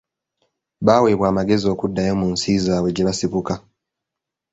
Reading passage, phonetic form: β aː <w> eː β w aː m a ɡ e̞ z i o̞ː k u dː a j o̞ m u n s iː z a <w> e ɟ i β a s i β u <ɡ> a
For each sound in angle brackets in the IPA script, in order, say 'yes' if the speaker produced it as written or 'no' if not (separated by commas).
yes, yes, no